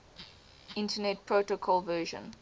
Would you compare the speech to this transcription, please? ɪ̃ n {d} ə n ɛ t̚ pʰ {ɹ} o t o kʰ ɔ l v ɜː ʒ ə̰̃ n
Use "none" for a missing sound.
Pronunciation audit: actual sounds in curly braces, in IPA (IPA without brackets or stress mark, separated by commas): t, ɹ